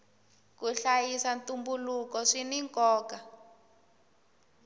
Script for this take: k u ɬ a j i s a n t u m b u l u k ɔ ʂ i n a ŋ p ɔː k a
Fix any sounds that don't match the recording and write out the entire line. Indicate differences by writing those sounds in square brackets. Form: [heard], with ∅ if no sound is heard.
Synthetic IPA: k u ɬ a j i s a n t u m b u l u k ɔ ʂ i n [i] ŋ [k] ɔː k a